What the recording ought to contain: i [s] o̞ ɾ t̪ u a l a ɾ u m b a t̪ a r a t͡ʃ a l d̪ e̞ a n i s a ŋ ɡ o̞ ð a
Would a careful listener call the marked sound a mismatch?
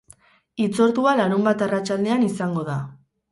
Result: yes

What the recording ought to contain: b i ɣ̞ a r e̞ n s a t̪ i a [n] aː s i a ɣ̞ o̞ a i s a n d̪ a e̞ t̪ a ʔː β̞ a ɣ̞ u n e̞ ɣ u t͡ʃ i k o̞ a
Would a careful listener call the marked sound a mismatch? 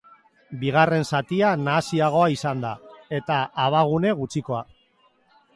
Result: no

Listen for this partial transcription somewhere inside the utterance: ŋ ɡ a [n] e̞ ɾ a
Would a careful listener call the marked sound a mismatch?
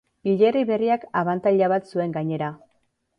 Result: yes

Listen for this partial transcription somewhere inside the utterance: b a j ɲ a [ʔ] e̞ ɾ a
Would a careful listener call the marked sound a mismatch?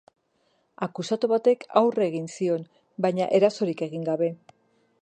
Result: no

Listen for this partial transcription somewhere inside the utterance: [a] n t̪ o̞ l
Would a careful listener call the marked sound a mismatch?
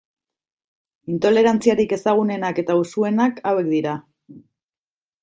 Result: yes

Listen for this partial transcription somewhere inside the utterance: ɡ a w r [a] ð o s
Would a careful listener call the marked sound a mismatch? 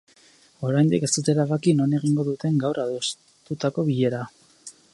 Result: no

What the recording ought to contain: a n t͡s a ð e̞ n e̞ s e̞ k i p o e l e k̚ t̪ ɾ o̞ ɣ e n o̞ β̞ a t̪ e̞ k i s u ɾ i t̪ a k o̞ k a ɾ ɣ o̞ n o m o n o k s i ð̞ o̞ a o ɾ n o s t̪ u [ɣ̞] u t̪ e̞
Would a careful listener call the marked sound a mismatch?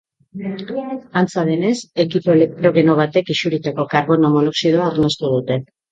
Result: yes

